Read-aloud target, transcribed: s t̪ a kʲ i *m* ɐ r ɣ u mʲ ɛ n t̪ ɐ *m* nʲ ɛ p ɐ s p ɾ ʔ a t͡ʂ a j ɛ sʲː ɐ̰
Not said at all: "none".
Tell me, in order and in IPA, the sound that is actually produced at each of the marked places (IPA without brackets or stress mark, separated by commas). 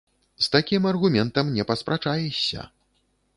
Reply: m, m